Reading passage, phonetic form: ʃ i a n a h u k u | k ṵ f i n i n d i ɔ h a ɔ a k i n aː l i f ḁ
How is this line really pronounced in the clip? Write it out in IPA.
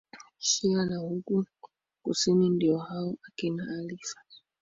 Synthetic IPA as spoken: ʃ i a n a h u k u | k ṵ s i n i n d i ɔ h a ɔ a k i n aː l i f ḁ